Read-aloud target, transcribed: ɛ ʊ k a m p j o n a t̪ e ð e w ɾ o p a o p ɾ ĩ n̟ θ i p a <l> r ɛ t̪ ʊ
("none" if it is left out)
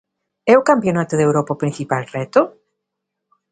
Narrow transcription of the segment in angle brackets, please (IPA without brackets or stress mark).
l